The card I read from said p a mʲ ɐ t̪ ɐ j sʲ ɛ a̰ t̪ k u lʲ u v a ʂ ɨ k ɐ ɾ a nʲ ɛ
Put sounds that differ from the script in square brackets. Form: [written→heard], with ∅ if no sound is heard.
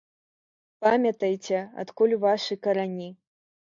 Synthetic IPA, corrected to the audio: p a mʲ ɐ t̪ ɐ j [sʲ→t͡sʲ] ɛ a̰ t̪ k u lʲ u v a ʂ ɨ k ɐ ɾ a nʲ [ɛ→i]